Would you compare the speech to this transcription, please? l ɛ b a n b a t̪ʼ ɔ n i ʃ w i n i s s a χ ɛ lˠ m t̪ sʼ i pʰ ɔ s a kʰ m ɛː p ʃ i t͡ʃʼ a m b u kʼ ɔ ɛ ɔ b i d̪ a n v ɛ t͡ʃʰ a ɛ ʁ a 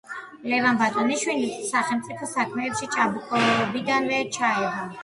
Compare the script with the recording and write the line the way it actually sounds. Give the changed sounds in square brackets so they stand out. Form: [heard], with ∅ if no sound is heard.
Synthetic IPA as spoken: l ɛ [v] a n b a t̪ʼ ɔ n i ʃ w i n i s s a χ ɛ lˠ m t̪ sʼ i pʰ ɔ s a kʰ m ɛː p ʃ i t͡ʃʼ a [∅] b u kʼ ɔ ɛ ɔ b i d̪ a n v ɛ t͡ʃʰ a ɛ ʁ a